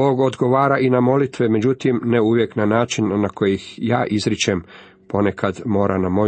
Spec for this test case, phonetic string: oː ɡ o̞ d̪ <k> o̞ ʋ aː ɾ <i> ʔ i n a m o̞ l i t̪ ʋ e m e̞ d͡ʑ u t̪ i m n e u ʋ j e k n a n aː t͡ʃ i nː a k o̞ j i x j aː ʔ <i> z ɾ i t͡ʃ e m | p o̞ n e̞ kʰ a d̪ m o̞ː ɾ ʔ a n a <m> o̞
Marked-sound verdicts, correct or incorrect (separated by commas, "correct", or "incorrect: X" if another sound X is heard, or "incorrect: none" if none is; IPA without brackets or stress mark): incorrect: ɡ, incorrect: a, correct, correct